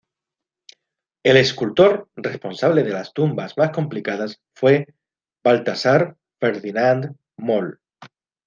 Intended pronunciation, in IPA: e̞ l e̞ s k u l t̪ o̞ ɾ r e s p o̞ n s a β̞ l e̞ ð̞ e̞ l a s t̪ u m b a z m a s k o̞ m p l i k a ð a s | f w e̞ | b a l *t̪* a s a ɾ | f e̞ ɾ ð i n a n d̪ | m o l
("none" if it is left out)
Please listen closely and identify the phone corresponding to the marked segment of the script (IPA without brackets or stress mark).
t̪